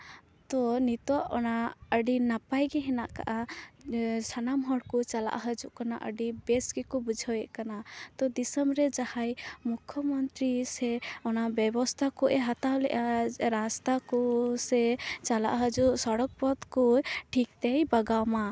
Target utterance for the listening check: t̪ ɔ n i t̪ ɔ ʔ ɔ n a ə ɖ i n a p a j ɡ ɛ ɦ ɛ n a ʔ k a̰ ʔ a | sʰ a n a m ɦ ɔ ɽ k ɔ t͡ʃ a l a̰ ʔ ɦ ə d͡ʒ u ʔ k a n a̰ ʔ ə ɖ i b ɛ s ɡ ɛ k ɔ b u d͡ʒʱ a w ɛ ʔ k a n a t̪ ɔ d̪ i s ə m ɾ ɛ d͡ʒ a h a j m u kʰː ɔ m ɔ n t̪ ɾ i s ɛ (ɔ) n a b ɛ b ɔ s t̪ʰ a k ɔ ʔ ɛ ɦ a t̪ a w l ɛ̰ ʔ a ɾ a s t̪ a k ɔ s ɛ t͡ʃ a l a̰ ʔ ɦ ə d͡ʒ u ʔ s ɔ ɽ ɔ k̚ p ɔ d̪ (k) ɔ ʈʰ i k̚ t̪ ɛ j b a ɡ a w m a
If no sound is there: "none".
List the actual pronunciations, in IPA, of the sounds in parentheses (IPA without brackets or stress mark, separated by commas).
ɔ, k